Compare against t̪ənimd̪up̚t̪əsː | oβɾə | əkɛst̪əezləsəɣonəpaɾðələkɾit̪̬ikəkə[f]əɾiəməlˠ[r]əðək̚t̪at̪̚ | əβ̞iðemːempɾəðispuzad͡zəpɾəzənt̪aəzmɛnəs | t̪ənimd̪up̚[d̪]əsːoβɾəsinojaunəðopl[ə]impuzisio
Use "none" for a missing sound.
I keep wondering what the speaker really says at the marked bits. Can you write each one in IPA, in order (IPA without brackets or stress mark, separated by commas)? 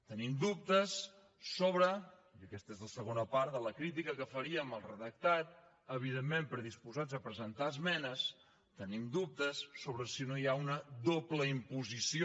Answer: f, r, t̪, ə